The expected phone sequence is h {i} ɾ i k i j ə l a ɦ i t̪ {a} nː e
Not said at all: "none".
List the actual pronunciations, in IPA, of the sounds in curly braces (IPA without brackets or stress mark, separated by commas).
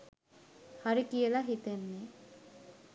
a, e